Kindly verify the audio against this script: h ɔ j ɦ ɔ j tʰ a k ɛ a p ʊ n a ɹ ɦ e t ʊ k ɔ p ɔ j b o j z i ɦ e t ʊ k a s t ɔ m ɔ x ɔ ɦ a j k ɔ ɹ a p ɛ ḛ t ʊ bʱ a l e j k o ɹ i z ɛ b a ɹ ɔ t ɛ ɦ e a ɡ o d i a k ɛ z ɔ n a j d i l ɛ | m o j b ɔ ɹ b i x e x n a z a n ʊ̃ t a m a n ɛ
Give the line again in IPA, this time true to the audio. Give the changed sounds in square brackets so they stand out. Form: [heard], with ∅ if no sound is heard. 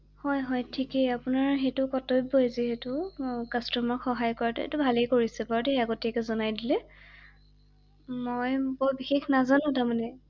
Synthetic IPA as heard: h ɔ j ɦ ɔ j tʰ [i] k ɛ a p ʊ n a ɹ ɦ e t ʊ k ɔ [t] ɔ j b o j z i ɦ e t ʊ k a s t ɔ m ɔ x ɔ ɦ a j k ɔ ɹ a [t] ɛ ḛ t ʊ bʱ a l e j k o ɹ i [s] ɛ b a ɹ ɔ t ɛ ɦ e a ɡ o [t] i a k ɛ z ɔ n a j d i l ɛ | m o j b ɔ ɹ b i x e x n a z a n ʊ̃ t a m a n ɛ